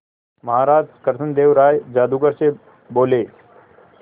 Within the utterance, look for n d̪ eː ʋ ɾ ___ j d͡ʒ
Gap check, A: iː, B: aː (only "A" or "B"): B